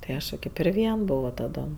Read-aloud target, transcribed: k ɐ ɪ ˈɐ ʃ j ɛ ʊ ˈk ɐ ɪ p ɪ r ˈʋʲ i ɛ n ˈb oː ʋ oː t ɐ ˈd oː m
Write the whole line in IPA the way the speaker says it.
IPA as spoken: t ɐ ɪ ˈɐ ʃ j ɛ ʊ ˈk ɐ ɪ p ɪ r ˈʋʲ i ɛ n ˈb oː ʋ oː t ɐ ˈd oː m